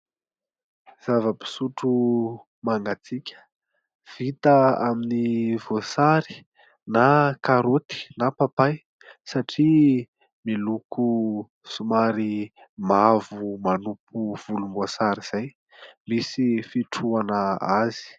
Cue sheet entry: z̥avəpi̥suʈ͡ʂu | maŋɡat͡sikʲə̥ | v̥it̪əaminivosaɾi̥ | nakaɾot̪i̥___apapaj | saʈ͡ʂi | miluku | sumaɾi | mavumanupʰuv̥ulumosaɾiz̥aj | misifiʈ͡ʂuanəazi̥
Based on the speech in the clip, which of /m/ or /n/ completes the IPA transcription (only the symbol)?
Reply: n